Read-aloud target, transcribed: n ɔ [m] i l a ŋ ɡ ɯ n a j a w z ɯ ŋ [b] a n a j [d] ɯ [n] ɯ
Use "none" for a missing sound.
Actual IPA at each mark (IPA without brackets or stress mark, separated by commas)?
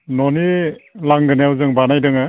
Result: n, b, d, ŋ